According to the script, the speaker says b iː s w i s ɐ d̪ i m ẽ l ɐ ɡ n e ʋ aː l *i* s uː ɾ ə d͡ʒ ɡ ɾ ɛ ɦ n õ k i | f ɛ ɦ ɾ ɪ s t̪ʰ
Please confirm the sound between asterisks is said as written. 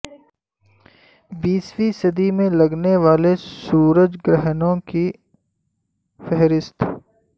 no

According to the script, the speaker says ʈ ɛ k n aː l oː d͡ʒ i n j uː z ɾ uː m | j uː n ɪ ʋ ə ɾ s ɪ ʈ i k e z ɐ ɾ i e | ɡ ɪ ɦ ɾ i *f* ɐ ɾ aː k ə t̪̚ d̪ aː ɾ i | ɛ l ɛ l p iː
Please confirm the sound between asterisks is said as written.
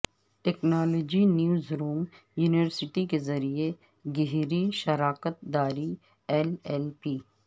no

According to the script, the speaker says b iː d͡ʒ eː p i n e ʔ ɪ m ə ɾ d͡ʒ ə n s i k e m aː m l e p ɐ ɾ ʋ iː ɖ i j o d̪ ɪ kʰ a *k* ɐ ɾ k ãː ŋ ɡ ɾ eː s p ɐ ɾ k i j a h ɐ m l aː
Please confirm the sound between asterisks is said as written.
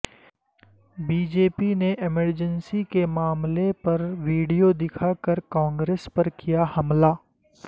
yes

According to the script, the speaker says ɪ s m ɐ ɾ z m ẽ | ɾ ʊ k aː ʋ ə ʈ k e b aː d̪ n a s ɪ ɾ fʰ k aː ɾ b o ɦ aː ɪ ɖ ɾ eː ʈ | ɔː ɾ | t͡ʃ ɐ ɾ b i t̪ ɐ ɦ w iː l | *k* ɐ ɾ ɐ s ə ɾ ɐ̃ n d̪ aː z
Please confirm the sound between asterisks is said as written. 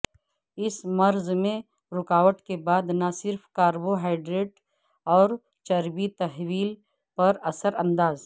no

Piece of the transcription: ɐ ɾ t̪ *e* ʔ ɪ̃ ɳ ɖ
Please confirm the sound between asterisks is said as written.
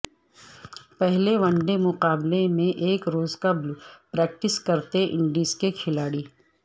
yes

